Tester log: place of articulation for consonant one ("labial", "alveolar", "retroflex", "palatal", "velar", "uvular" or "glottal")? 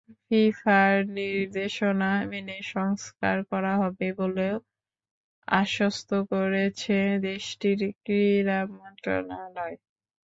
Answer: labial